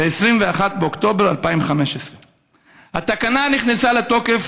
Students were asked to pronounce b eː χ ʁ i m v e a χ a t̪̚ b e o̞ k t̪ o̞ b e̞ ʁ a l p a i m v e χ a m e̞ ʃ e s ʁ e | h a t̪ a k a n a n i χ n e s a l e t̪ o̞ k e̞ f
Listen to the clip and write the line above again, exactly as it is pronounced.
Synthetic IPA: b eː s ʁ i m v e a χ a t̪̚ b e o̞ k t̪ o̞ b e̞ ʁ a l p a i m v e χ a m e̞ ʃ e s ʁ e | h a t̪ a k a n a n i χ n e s a l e t̪ o̞ k e̞ f